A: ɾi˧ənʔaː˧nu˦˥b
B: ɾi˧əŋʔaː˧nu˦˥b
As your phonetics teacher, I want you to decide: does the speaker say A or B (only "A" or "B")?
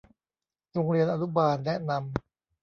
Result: A